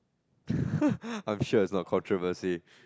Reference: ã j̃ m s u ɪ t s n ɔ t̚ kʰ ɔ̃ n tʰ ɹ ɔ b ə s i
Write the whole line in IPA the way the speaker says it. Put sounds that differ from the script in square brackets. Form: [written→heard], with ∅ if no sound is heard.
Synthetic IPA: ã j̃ m [s→ʃ] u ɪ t s n ɔ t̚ kʰ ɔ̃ n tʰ ɹ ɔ [b→v] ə s i

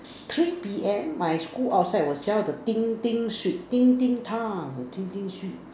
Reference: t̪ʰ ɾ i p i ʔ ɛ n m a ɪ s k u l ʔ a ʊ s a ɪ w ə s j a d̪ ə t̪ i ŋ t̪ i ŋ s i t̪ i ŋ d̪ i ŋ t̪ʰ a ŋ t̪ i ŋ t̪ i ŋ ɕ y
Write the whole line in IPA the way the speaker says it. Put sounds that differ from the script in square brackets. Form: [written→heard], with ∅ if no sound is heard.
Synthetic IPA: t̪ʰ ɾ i p i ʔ ɛ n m a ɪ s k u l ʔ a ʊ s a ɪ w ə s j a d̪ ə t̪ i ŋ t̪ i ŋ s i t̪ i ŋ [d̪→t̪] i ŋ t̪ʰ a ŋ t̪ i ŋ t̪ i ŋ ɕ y

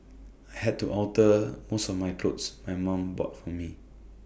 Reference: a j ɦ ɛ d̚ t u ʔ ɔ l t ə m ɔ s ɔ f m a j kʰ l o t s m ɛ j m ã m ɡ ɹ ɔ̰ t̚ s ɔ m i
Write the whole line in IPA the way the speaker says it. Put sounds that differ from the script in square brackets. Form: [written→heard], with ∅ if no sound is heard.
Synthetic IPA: a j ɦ ɛ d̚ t u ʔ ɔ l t ə m [ɔ→o] s ɔ f m a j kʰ l o t s m [ɛ→a] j m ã m [ɡ→b] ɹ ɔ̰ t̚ [s→f] ɔ m i

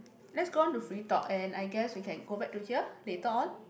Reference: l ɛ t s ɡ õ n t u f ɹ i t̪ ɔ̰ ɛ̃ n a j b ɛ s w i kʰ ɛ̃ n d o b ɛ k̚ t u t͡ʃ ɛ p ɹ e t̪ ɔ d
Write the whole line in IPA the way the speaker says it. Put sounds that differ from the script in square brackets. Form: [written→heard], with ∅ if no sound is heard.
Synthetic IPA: l ɛ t s ɡ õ n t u f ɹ i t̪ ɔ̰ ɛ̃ n a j [b→ɡ] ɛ s w i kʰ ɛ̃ n [d→ɡ] o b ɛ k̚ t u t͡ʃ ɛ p [ɹ→l] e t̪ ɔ [d→n]

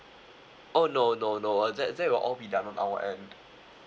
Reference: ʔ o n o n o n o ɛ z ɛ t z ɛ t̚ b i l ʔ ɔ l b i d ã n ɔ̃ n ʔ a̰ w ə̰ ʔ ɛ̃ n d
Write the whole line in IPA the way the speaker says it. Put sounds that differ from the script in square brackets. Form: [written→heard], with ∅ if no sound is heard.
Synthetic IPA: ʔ o n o n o n o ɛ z ɛ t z ɛ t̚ [b→w] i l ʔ ɔ l b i d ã n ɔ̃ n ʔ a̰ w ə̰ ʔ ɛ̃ n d

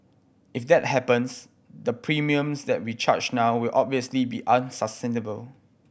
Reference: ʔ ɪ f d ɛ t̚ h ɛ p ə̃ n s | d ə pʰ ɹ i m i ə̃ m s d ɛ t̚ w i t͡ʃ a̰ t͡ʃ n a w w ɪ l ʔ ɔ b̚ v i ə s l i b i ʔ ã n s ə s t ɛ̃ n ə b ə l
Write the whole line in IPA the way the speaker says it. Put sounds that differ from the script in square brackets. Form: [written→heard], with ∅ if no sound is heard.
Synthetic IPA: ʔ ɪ f d ɛ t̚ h ɛ p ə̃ n s | d ə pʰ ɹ i m i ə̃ m s d ɛ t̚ w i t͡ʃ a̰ t͡ʃ n a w w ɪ l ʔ ɔ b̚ v i ə s l i b i ʔ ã n s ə s t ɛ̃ n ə b ə l

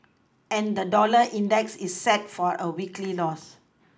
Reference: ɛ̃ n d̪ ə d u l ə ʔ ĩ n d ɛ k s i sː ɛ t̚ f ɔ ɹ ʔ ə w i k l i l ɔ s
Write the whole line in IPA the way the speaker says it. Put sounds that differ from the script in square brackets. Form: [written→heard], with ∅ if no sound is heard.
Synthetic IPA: ɛ̃ n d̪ ə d [u→ɔ] l ə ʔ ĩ n d ɛ k s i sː ɛ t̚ f ɔ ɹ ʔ ə w i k l i l ɔ s

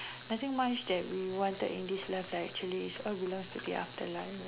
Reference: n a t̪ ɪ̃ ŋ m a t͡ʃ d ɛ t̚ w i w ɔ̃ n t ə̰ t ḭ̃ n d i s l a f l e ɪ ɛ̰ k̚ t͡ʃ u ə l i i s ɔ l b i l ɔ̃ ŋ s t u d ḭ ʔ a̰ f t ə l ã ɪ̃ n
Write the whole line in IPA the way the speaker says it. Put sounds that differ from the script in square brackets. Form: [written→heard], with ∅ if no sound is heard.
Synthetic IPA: n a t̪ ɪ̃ ŋ m a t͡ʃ d ɛ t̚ w i w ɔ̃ n t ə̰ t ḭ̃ n d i s l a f l [e→a] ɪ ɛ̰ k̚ t͡ʃ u ə l i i s ɔ l b i l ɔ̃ ŋ s t u d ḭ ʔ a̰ f t ə l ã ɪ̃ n

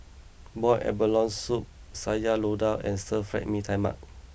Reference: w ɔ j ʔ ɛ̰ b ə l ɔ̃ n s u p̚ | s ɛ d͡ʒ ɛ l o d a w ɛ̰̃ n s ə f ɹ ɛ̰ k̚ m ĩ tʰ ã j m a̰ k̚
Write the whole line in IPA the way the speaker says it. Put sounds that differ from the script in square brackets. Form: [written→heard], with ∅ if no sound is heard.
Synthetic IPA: [w→b] ɔ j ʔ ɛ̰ b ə l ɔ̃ n s u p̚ | s [ɛ→a] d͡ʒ [ɛ→a] l o d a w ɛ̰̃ n s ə f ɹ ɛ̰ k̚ m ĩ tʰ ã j m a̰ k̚

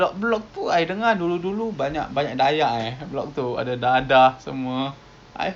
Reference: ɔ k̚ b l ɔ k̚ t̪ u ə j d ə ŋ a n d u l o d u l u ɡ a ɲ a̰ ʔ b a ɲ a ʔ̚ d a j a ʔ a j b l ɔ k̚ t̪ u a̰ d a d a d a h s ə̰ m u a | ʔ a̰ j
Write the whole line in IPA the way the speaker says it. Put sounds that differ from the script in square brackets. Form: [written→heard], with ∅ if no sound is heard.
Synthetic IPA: ɔ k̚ b l ɔ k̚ t̪ u [ə→a] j d ə ŋ a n d u l [o→u] d u l u [ɡ→b] a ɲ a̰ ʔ b a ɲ a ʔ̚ d a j a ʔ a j b l ɔ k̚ t̪ u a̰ d a d a d a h s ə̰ m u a | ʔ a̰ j

